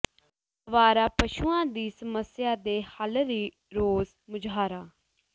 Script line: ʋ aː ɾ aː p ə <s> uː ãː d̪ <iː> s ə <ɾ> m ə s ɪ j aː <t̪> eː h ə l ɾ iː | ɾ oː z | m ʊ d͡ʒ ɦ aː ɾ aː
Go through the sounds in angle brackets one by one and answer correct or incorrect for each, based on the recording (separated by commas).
incorrect, correct, incorrect, incorrect